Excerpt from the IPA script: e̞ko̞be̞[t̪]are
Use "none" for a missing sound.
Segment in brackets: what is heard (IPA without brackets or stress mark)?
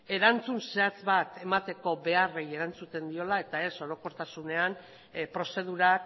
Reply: none